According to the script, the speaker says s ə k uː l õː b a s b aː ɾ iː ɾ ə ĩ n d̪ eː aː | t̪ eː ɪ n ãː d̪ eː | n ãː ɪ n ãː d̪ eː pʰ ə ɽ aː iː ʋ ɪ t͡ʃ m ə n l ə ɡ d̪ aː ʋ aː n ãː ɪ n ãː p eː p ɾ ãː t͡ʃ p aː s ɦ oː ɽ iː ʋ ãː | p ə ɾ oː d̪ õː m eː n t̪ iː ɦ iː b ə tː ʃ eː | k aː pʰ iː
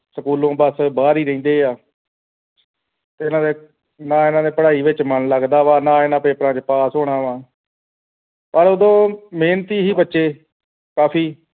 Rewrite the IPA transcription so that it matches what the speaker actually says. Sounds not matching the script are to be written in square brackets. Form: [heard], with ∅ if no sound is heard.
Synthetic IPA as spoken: s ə k uː l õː b [ə] s b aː ɾ iː ɾ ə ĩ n d̪ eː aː | t̪ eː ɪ n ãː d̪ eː | n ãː ɪ n ãː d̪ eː [p] ə ɽ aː iː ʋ ɪ t͡ʃ m ə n l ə ɡ d̪ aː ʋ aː n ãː ɪ n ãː p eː p ɾ ãː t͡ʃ p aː s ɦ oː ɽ [aː] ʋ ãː | p ə ɾ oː d̪ õː m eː n t̪ iː ɦ iː b ə tː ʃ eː | k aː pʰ iː